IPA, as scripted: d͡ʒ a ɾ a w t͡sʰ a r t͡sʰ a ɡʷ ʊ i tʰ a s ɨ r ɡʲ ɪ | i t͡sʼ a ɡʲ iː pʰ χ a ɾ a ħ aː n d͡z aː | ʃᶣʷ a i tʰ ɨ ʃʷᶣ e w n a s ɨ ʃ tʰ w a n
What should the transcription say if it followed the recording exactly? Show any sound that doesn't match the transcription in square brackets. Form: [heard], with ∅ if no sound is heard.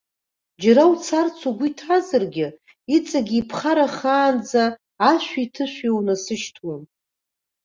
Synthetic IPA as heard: d͡ʒ a ɾ a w t͡sʰ a r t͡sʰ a ɡʷ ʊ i tʰ a [z] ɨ r ɡʲ ɪ | i t͡sʼ a ɡʲ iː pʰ χ a ɾ a [χ] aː n d͡z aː | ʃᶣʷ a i tʰ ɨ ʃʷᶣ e w n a s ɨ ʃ tʰ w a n